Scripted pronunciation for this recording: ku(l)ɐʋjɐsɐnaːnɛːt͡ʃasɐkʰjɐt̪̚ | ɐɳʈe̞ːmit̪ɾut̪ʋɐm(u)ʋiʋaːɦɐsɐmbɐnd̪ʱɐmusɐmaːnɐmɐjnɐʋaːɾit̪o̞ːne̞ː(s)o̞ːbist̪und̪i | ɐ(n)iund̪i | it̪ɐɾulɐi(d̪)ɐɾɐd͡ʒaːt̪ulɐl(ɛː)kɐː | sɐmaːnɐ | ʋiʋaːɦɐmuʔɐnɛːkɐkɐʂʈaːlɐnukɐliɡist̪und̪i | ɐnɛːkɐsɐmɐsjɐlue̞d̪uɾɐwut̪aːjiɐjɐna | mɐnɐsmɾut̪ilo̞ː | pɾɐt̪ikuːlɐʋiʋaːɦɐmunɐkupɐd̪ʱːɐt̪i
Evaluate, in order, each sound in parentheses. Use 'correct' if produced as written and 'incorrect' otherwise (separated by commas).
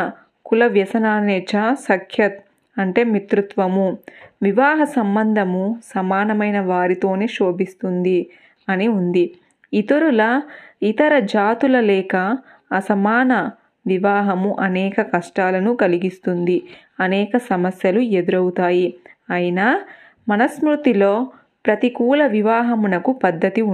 correct, correct, incorrect, correct, incorrect, correct